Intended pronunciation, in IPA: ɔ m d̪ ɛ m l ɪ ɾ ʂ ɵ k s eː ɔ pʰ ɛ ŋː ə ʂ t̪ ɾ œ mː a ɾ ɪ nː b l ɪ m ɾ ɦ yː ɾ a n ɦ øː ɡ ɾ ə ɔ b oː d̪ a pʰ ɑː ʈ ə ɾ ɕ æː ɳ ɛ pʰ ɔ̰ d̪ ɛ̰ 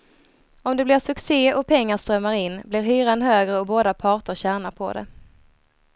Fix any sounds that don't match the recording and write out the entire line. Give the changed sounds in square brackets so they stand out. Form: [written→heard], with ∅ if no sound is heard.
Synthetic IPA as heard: ɔ m d̪ ɛ [m→b] l ɪ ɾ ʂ ɵ k s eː ɔ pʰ ɛ ŋː [ə→a] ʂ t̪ ɾ œ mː a ɾ ɪ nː b l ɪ [m→∅] ɾ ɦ yː ɾ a n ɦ øː ɡ ɾ ə ɔ b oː d̪ a pʰ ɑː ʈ ə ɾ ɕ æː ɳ [ɛ→a] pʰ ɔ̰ d̪ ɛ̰